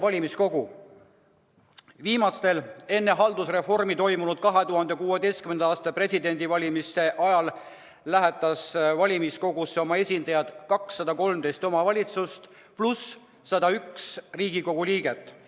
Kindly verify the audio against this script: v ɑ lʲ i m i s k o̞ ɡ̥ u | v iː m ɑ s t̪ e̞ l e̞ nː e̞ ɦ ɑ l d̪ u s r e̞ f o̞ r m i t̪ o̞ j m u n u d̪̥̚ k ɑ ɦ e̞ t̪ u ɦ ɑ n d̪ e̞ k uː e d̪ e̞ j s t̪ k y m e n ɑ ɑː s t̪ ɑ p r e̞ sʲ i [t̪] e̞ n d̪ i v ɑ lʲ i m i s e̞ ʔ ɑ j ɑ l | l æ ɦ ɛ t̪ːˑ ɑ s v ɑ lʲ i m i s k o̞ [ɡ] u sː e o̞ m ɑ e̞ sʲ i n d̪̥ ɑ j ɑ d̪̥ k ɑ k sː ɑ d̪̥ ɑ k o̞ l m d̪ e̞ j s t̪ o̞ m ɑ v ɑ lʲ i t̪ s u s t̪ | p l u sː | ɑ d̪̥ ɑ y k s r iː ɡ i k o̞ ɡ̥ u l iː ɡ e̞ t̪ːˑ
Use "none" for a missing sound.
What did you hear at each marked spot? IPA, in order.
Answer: d̪, ɡ

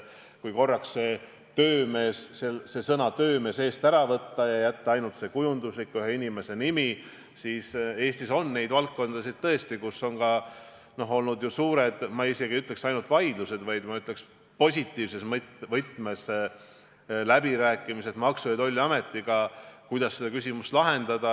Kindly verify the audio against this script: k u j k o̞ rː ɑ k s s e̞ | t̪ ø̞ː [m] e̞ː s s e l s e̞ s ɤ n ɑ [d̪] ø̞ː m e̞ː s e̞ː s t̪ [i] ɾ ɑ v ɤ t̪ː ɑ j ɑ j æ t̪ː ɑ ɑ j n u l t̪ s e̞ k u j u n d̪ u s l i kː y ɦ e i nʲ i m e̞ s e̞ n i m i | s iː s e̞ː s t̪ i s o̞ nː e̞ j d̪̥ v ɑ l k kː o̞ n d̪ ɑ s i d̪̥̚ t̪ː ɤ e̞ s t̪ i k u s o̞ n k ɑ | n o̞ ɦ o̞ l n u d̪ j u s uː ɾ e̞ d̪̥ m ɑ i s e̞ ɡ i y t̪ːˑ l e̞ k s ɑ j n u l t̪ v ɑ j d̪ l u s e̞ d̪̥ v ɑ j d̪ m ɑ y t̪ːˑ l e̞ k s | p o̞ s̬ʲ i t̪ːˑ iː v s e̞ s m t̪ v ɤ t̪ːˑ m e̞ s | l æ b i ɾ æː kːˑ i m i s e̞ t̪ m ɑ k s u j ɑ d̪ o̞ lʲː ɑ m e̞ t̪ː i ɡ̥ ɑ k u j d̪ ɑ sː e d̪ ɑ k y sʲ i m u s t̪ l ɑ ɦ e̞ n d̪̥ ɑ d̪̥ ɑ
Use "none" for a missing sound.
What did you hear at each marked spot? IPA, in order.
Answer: m, t̪, æ

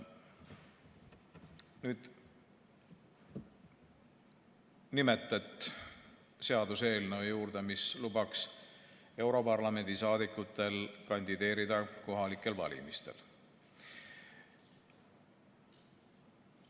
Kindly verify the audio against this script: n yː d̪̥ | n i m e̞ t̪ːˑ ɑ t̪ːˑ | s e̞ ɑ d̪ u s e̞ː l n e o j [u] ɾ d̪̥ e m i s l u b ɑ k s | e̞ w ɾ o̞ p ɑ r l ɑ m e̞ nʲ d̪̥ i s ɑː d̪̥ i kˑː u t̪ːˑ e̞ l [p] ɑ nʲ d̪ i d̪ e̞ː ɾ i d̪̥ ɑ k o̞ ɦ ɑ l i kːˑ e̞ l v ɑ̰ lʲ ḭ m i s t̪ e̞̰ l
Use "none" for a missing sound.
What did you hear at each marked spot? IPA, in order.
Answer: uː, k

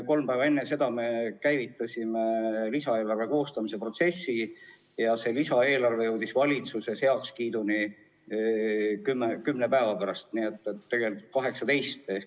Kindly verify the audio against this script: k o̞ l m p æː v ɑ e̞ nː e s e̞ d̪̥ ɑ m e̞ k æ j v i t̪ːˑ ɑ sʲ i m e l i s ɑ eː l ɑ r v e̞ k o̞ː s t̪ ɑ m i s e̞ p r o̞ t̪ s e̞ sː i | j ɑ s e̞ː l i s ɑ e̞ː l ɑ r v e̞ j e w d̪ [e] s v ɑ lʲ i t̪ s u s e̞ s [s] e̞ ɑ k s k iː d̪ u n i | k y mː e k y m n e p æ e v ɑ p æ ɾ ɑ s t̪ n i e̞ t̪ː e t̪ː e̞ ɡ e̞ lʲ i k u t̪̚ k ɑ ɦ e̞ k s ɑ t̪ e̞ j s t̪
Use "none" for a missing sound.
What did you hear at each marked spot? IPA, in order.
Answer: i, h

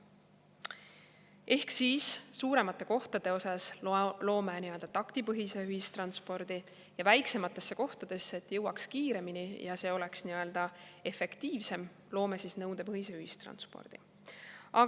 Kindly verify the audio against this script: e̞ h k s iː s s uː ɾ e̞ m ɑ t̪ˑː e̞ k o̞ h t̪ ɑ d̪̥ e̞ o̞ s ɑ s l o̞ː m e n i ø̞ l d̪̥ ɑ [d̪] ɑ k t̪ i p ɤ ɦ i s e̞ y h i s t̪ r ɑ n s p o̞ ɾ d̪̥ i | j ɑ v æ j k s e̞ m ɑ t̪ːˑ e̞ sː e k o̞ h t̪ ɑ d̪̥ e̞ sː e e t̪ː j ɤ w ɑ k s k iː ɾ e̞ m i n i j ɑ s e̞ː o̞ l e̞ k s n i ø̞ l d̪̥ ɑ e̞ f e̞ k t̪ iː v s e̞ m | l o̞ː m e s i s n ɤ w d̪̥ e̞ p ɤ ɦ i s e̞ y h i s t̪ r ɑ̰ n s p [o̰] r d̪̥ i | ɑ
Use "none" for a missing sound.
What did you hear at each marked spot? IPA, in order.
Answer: t̪, o̰

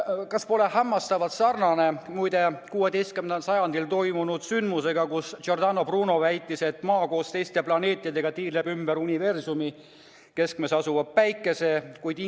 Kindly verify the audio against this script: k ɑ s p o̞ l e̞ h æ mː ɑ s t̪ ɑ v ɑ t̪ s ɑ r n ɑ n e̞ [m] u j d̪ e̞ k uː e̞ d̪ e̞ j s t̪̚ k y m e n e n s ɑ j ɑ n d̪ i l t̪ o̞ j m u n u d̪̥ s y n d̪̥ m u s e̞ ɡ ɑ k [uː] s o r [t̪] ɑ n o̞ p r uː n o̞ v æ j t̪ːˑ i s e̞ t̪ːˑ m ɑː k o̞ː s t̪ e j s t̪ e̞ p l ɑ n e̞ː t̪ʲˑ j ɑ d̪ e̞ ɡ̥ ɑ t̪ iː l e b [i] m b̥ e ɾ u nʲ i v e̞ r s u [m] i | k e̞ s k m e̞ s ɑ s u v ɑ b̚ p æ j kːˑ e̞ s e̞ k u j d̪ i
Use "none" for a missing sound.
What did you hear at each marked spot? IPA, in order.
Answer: m, u, d̪, y, m

